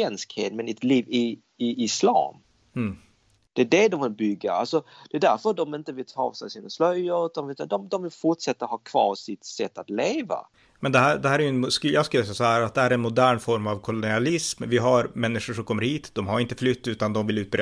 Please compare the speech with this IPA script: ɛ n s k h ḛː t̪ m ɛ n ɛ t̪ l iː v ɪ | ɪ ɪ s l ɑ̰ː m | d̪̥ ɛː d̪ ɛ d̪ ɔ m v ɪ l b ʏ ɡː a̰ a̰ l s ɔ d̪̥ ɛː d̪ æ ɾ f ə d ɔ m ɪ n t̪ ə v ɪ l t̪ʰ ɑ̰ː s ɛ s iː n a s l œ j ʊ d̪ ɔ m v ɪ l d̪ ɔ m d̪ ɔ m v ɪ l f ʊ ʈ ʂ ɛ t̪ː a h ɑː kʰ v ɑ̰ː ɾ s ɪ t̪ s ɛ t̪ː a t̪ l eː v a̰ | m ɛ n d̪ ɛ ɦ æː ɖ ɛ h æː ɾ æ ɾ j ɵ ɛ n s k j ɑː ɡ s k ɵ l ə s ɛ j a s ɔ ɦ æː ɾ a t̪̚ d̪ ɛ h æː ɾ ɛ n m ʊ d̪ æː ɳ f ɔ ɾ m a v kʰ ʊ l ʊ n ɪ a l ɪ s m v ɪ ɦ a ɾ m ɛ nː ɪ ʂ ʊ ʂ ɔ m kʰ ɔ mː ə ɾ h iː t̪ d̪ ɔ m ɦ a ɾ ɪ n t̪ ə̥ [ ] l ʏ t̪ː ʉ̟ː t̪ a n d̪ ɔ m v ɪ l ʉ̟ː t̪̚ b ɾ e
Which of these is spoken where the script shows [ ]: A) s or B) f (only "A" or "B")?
B